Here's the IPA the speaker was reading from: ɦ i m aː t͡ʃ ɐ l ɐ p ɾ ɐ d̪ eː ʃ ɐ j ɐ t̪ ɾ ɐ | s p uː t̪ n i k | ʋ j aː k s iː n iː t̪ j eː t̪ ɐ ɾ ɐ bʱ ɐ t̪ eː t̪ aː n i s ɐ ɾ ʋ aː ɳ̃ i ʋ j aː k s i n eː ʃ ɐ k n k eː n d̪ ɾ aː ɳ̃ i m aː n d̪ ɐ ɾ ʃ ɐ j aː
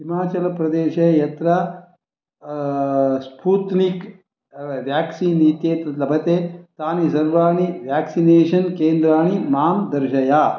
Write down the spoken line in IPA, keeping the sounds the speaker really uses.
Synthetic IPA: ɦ i m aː t͡ʃ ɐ l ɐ p ɾ ɐ d̪ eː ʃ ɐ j ɐ t̪ ɾ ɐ | s p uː t̪ n i k | ʋ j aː k s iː n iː t̪ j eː t̪ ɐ l ɐ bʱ ɐ t̪ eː t̪ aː n i s ɐ ɾ ʋ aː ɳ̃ i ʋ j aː k s i n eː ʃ ɐ n k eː n d̪ ɾ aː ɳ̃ i m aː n d̪ ɐ ɾ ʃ ɐ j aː